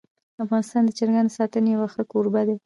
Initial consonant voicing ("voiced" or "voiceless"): voiceless